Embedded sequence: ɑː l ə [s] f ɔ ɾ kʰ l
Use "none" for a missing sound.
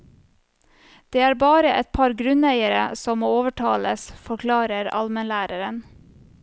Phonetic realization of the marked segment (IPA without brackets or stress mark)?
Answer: s